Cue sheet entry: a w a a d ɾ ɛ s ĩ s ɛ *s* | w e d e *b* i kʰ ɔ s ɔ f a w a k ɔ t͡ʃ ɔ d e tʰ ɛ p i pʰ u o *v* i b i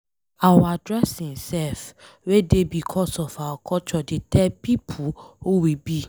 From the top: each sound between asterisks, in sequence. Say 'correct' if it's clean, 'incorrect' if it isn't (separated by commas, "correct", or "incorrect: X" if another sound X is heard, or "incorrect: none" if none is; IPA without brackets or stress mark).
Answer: incorrect: f, correct, incorrect: w